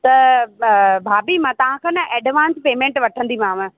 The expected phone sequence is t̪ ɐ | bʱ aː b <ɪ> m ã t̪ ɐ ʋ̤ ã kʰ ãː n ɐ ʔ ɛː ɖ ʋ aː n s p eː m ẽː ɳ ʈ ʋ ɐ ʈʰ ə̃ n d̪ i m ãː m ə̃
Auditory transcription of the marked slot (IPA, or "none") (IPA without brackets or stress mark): i